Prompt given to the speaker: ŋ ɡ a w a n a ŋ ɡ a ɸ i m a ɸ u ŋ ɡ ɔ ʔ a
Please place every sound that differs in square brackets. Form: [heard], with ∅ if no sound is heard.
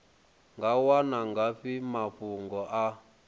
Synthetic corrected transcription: ŋ ɡ a w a n a ŋ ɡ a ɸ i m a ɸ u ŋ ɡ ɔ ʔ a